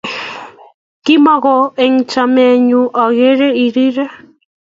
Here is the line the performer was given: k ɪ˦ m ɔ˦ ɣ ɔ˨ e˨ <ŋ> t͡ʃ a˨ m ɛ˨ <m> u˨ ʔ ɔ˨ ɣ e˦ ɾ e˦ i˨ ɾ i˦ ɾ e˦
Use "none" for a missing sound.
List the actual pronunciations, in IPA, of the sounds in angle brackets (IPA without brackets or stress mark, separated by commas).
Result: ŋ, ɲ